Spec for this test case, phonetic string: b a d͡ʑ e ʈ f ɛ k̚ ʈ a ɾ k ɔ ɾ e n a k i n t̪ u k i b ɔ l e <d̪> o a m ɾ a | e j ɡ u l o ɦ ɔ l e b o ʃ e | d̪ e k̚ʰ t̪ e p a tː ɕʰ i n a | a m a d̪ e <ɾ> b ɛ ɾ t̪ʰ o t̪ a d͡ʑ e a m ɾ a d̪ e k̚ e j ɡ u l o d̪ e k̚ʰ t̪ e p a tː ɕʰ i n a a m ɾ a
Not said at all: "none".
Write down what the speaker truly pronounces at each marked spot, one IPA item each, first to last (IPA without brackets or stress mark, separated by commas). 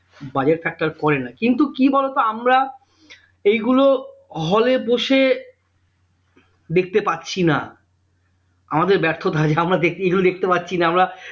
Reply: t̪, ɾ